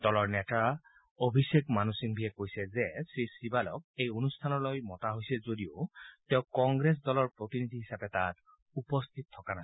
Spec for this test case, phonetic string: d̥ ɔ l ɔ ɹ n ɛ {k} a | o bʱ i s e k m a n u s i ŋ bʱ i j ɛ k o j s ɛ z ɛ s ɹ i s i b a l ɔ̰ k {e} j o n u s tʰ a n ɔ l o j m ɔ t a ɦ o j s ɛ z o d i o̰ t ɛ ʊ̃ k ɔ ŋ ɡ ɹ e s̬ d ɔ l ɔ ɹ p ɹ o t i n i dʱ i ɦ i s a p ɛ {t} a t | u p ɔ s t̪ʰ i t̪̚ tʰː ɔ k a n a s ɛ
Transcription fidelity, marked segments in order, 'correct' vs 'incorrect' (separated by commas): incorrect, correct, correct